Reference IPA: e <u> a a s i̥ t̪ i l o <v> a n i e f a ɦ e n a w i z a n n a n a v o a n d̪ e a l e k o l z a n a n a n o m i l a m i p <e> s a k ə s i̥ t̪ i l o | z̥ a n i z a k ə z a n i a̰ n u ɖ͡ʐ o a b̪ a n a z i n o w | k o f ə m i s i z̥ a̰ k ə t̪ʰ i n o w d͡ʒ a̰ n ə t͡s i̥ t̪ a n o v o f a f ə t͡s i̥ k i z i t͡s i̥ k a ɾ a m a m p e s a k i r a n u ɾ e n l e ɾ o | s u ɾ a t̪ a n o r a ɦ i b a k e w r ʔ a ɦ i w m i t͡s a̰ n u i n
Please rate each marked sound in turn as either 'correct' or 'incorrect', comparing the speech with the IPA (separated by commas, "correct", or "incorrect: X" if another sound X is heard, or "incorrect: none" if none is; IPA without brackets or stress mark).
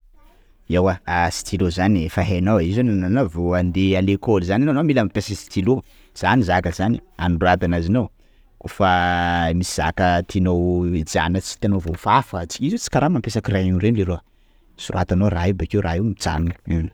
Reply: incorrect: w, incorrect: z, correct